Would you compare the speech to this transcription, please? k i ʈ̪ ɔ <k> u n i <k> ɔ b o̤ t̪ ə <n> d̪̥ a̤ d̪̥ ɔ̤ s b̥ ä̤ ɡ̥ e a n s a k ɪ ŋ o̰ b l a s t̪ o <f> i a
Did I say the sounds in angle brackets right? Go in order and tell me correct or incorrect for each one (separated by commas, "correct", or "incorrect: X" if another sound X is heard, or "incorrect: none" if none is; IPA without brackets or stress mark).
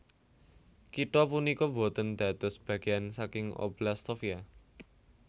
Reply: incorrect: p, correct, correct, correct